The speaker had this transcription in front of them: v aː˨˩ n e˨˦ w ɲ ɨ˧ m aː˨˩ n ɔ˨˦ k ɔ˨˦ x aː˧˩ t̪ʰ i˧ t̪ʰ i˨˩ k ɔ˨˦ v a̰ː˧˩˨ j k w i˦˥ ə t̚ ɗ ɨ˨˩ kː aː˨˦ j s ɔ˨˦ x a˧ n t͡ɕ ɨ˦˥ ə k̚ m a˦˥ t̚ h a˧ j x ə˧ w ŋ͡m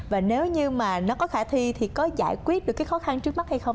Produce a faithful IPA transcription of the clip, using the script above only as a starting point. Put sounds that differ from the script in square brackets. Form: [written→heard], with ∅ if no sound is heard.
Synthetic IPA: v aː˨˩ n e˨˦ w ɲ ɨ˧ m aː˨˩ n ɔ˨˦ k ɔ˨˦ x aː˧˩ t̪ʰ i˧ t̪ʰ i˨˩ k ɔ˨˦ [v→z] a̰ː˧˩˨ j k w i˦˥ ə t̚ ɗ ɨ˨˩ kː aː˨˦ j [s→x] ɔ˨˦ x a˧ n t͡ɕ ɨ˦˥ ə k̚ m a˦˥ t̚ h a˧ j x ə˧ w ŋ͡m